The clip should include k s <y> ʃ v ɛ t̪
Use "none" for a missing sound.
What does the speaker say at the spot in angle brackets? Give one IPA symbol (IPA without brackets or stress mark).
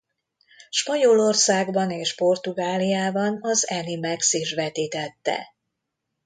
i